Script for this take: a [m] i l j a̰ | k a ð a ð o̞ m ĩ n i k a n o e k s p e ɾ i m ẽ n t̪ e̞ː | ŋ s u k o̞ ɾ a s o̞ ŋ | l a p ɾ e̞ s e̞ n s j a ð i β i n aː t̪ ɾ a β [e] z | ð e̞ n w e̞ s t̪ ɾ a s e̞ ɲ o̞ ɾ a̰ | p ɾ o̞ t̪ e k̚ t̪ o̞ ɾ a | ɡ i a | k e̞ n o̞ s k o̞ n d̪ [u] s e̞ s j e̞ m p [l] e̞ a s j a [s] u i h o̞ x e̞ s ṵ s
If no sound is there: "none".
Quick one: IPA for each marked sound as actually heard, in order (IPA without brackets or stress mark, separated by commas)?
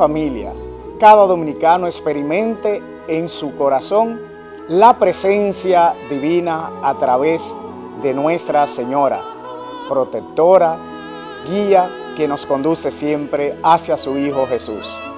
m, e, u, ɾ, s